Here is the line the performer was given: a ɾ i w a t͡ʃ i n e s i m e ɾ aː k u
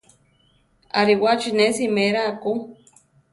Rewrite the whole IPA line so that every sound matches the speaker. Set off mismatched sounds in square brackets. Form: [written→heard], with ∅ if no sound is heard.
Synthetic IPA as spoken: a ɾ i w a t͡ʃ i n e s i m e ɾ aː k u

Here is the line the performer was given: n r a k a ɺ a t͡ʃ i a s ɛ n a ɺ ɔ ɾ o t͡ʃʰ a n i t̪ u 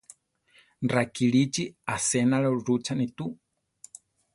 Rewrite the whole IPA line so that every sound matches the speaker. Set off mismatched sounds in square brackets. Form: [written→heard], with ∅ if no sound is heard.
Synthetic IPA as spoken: n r a k [a→i] ɺ [a→i] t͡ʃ i a s ɛ n a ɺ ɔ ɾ [o→u] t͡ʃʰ a n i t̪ u

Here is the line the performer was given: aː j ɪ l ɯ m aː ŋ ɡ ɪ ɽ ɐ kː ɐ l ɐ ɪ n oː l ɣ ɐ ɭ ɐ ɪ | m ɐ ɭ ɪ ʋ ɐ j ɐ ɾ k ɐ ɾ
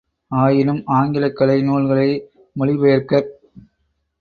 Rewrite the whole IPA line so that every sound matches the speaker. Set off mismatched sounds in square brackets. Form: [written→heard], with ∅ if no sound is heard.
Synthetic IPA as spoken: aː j ɪ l ɯ m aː ŋ ɡ ɪ [ɽ→l] ɐ kː ɐ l ɐ ɪ n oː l ɣ ɐ ɭ ɐ ɪ | m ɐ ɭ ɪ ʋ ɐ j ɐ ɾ k ɐ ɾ

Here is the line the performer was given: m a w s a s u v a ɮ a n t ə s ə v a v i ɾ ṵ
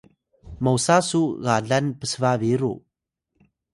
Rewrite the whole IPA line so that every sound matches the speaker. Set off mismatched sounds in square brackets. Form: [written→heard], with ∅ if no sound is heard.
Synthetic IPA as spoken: m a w s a s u [v→ɣ] a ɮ a n [t→p] ə s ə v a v i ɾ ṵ

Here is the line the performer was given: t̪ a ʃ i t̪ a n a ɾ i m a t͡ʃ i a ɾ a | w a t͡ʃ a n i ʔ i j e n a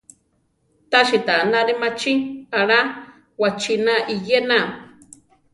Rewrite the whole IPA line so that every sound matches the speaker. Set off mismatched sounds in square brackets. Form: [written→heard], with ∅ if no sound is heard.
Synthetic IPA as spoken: t̪ a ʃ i t̪ a n a ɾ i m a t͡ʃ i a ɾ a | w a t͡ʃ [a→i] n [i→a] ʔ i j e n a

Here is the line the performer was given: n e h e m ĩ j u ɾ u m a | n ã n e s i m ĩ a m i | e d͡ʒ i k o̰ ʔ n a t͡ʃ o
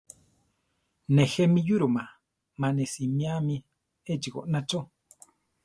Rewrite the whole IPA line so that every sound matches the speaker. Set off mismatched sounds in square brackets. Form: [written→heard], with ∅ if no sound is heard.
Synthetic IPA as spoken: n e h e m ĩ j u ɾ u m a | [n→m] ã n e s i m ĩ a m i | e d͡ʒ i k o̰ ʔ n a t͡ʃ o

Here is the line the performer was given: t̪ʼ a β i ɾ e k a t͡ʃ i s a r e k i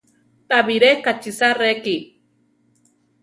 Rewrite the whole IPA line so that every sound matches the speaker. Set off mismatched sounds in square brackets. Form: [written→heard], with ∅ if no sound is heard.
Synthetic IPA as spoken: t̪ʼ a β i ɾ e k a t͡ʃ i s a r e k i

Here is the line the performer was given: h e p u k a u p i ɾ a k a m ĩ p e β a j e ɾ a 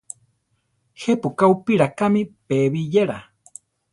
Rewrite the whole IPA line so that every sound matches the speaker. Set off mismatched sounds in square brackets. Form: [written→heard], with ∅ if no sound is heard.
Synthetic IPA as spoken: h e p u k a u p i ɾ a k a m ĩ p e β [a→i] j e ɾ a

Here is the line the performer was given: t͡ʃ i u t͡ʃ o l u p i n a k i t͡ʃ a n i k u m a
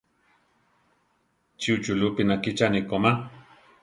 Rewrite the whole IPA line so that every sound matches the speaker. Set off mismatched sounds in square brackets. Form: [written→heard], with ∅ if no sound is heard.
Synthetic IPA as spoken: t͡ʃ i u t͡ʃ [o→u] l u p i n a k i t͡ʃ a n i k [u→o] m a

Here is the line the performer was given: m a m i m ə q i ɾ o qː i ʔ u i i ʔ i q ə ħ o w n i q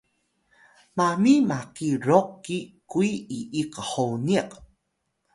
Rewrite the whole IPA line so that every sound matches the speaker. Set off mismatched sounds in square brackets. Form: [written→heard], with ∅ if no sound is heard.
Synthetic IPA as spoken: m a m i m [ə→a] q i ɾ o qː i [ʔ→k] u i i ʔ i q ə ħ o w n i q

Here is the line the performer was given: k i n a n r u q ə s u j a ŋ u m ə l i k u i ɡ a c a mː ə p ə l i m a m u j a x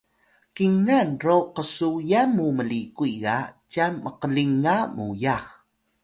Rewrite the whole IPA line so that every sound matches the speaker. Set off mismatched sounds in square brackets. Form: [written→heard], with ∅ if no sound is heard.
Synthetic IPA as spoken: k i [n→ŋ] a n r [u→o] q ə s u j a [ŋ→m] u m ə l i k u i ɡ a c a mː ə [p→q] ə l i [m→ŋ] a m u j a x

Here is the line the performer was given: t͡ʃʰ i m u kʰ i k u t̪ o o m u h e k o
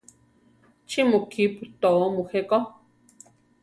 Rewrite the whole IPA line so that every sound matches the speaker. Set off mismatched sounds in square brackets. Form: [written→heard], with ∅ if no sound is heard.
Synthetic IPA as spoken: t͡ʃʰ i m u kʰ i [k→p] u t̪ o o m u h e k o

